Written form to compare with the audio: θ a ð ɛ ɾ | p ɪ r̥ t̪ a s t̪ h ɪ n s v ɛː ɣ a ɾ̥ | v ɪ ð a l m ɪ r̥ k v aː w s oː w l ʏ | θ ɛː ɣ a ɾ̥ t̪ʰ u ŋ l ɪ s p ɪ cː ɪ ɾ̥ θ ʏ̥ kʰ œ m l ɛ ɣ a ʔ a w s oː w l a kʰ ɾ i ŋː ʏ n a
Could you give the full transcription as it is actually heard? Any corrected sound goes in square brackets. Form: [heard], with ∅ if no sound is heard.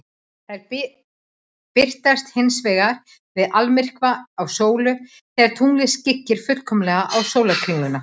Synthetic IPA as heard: θ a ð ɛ ɾ | p ɪ r̥ t̪ a s t̪ h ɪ n s v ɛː ɣ a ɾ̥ | v ɪ ð a l m ɪ r̥ k v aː w s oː w l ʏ | θ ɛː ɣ a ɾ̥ t̪ʰ u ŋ l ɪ s [c] ɪ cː ɪ ɾ̥ [f] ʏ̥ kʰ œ m l ɛ ɣ a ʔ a w s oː w l a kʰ ɾ i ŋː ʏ n a